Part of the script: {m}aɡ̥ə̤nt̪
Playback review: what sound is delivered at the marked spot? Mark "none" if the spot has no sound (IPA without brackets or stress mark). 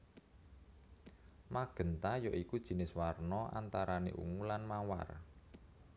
m